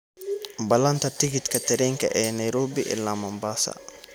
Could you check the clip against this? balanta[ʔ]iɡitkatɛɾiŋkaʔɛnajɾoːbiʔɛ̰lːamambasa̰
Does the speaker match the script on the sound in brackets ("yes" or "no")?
no